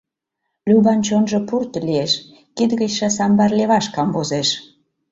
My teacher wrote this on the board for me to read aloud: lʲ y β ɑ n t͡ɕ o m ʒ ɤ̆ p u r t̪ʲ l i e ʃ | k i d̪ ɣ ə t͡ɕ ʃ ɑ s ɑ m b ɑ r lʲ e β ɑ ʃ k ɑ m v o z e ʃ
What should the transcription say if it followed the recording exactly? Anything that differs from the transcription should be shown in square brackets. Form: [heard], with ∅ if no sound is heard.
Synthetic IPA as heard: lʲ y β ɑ n t͡ɕ o [n] ʒ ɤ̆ p u r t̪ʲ l i e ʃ | k i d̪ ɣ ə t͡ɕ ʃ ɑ s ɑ m b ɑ r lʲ e β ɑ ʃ k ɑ m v o z e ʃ